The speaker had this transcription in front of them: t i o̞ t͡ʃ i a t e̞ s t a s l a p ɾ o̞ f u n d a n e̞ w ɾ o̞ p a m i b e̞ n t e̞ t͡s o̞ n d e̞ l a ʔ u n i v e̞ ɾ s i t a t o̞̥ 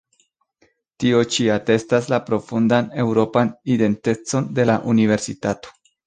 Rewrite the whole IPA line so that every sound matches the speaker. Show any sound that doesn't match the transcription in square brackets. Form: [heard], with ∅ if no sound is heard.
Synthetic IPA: t i o̞ t͡ʃ i a t e̞ s t a s l a p ɾ o̞ f u n d a n e̞ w ɾ o̞ p a [n] i [d] e̞ n t e̞ t͡s o̞ n d e̞ l a ʔ u n i v e̞ ɾ s i t a t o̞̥